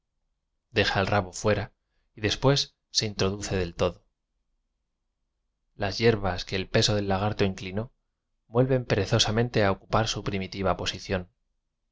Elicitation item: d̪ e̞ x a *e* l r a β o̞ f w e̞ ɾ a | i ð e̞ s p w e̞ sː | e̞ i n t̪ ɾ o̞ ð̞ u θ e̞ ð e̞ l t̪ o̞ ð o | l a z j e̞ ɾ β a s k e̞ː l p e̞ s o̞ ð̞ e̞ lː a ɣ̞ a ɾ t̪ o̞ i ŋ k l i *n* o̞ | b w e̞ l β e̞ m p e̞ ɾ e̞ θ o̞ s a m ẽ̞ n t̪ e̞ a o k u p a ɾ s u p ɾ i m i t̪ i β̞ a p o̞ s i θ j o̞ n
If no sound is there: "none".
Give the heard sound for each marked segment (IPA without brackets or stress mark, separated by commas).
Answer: e, n